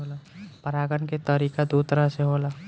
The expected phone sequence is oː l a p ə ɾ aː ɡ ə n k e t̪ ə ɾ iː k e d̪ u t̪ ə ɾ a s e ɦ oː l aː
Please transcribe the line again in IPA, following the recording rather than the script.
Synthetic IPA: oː l a p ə ɾ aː ɡ ə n k e t̪ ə ɾ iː k a d̪ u t̪ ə ɾ a s e ɦ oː l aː